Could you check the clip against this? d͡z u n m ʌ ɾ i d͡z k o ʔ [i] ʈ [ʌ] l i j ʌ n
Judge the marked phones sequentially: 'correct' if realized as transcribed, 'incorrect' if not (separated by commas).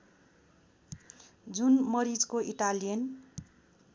correct, incorrect